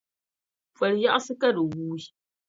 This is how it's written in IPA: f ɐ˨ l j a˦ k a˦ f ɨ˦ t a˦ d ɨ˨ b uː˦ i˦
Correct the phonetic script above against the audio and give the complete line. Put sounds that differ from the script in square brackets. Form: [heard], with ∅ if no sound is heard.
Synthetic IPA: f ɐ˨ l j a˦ [ʔ] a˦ [s] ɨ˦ [k] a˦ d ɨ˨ [w] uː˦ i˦